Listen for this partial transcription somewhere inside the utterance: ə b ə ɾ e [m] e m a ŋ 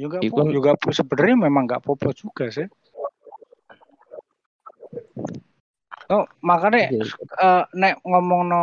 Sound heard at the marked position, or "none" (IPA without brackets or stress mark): m